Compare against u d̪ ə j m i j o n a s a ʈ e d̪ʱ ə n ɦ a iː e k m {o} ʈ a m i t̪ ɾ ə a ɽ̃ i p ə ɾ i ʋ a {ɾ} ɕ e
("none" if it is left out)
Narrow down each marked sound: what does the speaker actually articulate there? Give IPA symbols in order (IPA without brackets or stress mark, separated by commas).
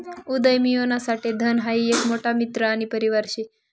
o, ɾ